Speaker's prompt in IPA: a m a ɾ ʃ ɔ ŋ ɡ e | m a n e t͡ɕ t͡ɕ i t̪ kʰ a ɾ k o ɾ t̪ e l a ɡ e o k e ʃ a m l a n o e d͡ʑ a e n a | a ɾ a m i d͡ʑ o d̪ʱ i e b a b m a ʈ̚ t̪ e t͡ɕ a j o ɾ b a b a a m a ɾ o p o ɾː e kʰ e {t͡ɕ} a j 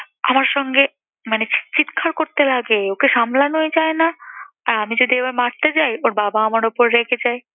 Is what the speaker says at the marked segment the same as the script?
yes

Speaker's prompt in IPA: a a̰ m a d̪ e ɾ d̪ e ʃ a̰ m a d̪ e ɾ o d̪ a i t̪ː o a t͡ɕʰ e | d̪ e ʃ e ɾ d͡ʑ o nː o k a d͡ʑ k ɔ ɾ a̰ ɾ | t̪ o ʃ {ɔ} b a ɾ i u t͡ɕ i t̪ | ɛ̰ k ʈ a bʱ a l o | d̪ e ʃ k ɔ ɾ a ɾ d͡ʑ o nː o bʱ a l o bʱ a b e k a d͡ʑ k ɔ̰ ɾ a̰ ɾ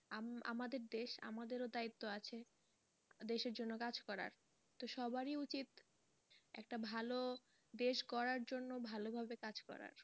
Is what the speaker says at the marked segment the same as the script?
yes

